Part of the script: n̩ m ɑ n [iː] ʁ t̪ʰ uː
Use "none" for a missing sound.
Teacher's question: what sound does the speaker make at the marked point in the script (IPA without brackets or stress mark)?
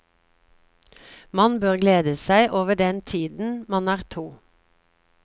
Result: æː